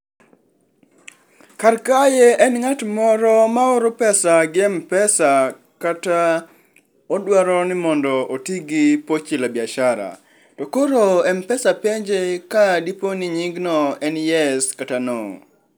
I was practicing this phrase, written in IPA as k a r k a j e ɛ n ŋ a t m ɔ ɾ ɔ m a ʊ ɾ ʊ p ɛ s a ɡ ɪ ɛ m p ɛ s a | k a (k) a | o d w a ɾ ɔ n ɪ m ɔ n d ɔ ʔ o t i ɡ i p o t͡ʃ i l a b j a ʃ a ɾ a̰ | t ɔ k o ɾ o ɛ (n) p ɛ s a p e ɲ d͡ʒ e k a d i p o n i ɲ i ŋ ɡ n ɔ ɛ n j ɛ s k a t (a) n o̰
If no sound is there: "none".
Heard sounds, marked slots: t, m, a

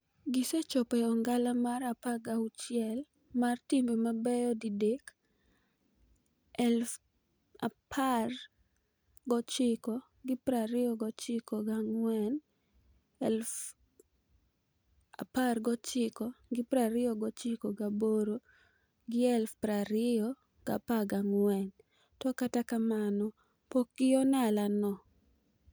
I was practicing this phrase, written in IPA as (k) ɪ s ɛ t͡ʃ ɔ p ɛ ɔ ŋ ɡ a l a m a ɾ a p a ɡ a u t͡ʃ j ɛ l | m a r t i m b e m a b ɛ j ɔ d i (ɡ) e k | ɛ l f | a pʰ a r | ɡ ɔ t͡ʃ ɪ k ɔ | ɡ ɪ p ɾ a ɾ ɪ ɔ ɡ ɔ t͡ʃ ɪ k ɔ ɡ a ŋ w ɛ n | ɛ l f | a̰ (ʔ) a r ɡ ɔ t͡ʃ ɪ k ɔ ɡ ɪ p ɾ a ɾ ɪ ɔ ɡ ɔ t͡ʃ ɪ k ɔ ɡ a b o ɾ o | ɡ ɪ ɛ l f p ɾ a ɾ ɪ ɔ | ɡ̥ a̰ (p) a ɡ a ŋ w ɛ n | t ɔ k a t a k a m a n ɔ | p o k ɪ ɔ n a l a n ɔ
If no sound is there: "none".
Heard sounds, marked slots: ɡ, d, p, p

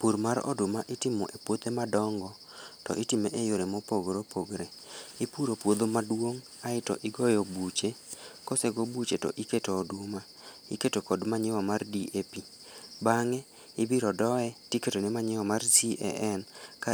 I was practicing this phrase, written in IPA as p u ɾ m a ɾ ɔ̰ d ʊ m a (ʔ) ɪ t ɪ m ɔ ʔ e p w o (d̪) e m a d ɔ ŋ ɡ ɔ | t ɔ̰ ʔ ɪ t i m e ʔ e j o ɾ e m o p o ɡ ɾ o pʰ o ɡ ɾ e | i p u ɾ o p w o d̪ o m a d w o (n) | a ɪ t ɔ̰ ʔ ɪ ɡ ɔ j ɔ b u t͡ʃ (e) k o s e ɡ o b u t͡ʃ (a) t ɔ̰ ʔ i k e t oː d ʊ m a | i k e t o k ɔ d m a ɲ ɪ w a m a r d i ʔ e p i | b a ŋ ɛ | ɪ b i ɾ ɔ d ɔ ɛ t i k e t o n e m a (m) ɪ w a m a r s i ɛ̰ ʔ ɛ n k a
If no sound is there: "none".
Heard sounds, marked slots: ʔ, t̪, ŋ, e, e, ɲ

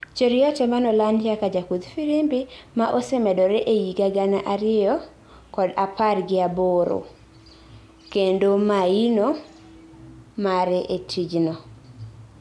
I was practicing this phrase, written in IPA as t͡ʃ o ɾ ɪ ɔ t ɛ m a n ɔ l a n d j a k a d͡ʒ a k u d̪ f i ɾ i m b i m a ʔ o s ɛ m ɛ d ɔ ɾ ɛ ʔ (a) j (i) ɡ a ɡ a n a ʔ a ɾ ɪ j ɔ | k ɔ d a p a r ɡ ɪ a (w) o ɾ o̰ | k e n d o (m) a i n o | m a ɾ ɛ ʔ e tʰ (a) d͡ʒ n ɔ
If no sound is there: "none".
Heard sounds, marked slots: e, i, b, m, i

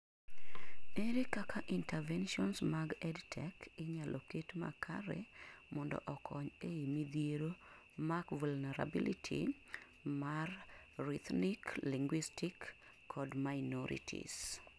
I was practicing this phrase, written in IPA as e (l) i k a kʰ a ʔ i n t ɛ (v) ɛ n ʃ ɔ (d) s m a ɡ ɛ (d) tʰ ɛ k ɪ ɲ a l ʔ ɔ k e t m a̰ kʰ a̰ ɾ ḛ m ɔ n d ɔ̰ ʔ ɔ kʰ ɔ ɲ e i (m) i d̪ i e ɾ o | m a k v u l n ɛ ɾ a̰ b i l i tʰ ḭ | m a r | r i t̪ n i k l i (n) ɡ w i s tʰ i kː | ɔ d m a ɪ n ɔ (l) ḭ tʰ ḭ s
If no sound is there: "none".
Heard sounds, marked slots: ɾ, v, n, d, m, ŋ, ɾ

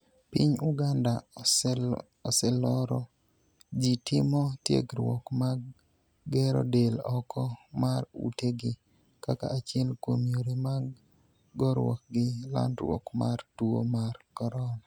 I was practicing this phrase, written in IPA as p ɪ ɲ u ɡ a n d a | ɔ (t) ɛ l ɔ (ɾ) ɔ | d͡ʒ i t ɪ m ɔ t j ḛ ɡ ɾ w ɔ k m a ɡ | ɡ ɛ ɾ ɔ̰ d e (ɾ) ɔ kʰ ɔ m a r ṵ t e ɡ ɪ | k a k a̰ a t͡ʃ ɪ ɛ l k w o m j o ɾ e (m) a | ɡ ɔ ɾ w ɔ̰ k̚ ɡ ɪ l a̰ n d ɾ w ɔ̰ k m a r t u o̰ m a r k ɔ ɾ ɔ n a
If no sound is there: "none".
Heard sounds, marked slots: s, ɾ, l, m

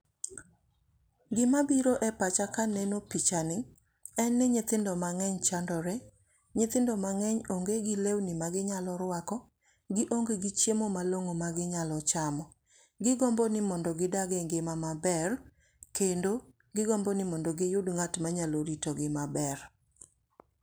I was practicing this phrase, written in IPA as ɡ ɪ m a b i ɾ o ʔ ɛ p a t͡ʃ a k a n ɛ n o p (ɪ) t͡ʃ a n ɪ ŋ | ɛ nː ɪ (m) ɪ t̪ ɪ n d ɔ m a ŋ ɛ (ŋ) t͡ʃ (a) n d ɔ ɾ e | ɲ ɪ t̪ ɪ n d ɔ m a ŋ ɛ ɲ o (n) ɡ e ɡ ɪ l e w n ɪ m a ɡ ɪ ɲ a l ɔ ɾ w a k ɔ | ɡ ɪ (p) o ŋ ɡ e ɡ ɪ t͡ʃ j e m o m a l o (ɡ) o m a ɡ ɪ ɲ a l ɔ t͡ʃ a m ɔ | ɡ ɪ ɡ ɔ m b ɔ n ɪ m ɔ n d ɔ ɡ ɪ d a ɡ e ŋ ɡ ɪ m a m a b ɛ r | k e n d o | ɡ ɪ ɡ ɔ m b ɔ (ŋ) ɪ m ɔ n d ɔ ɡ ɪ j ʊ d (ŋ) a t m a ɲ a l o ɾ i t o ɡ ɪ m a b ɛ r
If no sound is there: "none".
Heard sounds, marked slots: i, ɲ, ɲ, a, ŋ, ʔ, ŋ, n, ŋ

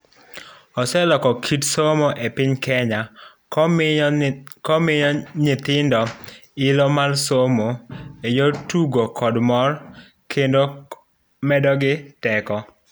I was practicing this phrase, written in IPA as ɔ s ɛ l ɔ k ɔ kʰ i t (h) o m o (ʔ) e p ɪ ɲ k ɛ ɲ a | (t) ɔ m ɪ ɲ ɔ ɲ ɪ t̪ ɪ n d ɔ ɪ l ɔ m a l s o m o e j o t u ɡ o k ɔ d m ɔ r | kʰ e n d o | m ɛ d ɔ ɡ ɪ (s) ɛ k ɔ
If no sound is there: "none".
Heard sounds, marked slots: s, ʔ, k, t

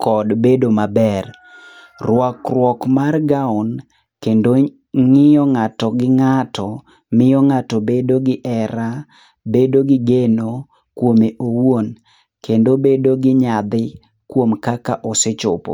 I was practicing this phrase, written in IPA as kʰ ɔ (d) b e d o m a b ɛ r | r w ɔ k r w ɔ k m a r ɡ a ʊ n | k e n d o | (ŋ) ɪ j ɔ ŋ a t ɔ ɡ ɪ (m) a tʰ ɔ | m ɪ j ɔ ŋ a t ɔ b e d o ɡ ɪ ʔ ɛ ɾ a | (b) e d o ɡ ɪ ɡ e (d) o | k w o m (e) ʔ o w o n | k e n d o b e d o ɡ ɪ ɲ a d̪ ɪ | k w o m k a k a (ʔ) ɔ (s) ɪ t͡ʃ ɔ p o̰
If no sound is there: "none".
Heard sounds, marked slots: d, ŋ, ŋ, b, n, e, ʔ, s

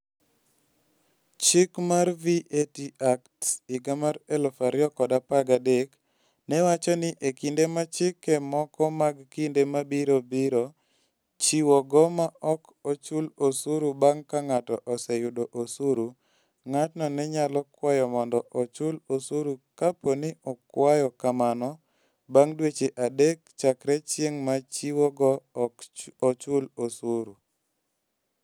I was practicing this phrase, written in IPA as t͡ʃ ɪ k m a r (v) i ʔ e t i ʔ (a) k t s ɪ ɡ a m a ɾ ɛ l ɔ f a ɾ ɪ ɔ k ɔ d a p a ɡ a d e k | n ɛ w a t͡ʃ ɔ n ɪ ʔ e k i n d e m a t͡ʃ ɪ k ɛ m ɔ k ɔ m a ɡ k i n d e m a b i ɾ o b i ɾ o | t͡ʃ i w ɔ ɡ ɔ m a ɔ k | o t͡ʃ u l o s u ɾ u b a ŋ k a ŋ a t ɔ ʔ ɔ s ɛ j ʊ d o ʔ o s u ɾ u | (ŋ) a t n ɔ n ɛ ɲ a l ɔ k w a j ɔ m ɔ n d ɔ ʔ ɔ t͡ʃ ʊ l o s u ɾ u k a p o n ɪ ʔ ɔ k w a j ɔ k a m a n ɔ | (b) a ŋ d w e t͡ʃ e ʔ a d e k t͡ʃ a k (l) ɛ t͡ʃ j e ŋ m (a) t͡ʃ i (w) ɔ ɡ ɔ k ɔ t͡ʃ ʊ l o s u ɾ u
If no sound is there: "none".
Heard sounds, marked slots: v, a, ŋ, b, ɾ, a, w

